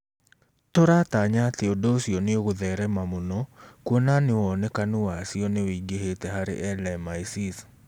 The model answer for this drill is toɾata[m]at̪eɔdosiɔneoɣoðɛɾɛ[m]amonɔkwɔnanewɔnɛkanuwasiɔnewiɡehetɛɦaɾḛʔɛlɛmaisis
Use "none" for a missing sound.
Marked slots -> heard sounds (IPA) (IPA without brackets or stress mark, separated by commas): ɲ, m